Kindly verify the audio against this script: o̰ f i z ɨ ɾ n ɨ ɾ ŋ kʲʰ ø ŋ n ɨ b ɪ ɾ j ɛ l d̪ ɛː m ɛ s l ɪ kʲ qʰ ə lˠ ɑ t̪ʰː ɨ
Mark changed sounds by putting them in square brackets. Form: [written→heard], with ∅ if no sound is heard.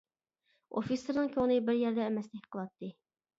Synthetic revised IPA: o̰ f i [z→s] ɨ ɾ n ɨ [ɾ→∅] ŋ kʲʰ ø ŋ n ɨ b ɪ ɾ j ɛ [l→ɾ] d̪ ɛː m ɛ s l ɪ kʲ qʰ ə lˠ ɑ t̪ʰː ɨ